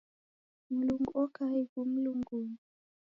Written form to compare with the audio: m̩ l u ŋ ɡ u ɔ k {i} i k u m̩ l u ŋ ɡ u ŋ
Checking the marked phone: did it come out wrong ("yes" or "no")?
yes